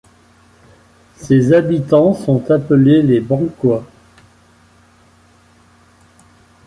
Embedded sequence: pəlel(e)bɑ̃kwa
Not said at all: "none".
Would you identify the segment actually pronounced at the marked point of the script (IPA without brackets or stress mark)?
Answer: e